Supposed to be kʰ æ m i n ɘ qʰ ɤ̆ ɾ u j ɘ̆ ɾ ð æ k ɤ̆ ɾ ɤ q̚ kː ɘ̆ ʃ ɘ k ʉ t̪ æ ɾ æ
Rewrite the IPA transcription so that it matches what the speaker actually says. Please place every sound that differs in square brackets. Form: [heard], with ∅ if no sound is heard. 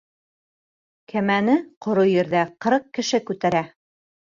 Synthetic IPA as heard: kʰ æ m [æ] n ɘ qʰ [ŏ] ɾ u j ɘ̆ ɾ ð æ [q] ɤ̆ ɾ ɤ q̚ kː ɘ̆ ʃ ɘ k ʉ t̪ æ ɾ æ